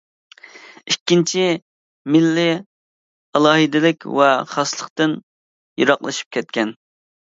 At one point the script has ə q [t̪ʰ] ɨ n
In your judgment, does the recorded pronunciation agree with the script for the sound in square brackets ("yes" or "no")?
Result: no